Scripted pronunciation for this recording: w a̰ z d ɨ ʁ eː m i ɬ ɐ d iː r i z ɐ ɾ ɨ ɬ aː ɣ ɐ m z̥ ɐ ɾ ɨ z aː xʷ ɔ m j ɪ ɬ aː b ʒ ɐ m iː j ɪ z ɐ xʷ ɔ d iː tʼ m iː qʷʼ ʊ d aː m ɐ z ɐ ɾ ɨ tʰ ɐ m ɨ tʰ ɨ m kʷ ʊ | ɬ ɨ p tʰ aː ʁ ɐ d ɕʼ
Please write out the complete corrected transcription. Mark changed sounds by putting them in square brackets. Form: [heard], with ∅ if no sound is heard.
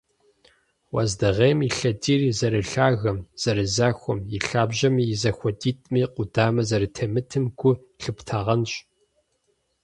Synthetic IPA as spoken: w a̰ z d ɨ ʁ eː m i ɬ ɐ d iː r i z ɐ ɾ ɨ ɬ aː ɣ ɐ m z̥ ɐ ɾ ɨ z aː xʷ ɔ m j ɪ ɬ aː b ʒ ɐ m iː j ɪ z ɐ xʷ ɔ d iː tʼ m iː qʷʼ ʊ d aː m ɐ z ɐ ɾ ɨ tʰ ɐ m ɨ tʰ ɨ m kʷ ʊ | ɬ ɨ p tʰ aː ʁ ɐ [n] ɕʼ